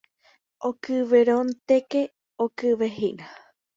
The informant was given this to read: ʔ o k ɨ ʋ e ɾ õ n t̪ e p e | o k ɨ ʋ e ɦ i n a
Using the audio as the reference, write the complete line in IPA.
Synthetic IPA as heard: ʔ o k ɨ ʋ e ɾ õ n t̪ e k e | o k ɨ ʋ e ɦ i n a